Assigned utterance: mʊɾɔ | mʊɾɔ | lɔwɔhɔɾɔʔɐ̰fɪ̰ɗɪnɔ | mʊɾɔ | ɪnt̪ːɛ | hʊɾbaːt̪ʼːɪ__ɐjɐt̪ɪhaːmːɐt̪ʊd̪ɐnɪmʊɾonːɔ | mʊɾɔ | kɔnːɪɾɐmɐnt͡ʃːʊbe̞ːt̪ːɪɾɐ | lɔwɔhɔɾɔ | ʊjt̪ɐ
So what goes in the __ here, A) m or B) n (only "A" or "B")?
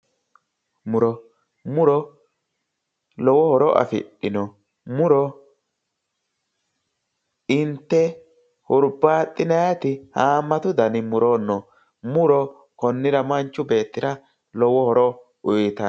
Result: B